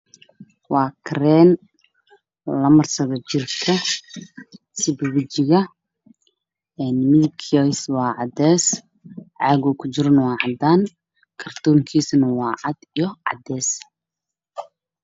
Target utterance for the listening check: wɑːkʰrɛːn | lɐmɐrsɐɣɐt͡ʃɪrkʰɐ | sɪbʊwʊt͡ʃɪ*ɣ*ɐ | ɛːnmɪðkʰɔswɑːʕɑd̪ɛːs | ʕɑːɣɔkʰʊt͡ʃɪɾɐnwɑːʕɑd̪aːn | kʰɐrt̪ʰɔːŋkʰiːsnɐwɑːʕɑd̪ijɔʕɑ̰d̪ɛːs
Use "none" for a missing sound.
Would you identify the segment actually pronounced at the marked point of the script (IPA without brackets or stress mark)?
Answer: ɣ